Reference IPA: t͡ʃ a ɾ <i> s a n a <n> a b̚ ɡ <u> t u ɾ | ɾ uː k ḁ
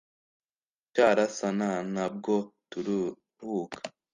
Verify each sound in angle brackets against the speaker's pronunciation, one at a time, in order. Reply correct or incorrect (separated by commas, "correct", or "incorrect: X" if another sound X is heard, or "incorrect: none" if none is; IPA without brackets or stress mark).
incorrect: a, correct, incorrect: o